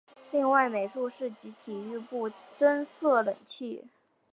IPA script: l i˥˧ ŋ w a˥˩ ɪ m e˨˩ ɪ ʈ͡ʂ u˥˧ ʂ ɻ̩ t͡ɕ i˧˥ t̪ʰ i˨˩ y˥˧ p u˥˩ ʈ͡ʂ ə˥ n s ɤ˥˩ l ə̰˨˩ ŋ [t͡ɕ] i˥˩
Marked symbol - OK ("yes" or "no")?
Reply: no